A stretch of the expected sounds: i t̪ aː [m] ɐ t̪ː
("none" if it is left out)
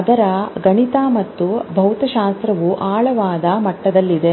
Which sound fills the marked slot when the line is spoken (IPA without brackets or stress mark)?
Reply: m